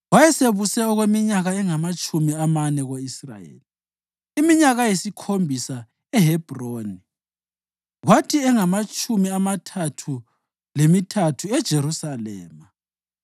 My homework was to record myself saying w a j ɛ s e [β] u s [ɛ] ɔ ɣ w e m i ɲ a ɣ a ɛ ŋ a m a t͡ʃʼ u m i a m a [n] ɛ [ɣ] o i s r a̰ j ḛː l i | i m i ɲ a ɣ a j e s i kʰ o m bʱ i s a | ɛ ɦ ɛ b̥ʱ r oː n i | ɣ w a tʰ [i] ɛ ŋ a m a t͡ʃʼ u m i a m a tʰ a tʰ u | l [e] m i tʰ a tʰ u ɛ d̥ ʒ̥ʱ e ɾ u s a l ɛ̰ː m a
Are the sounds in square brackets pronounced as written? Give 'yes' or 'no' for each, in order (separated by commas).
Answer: yes, yes, yes, yes, yes, yes